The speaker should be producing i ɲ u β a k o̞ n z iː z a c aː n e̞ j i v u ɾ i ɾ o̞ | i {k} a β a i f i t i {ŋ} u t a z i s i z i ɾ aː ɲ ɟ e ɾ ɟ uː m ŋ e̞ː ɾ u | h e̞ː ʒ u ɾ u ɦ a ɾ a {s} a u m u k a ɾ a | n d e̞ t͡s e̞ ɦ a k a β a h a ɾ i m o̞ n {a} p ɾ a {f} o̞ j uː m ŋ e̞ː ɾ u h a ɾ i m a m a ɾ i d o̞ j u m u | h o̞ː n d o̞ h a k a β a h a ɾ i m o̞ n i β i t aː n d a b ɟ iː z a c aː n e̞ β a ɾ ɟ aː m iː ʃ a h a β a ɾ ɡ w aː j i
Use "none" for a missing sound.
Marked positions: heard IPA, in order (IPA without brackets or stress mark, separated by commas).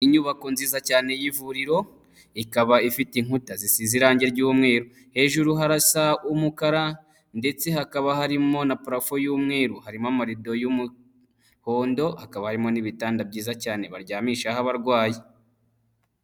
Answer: k, ŋ, s, a, f